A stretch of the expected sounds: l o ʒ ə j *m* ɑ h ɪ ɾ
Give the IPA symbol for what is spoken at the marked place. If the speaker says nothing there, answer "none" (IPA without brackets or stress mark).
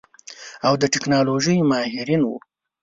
m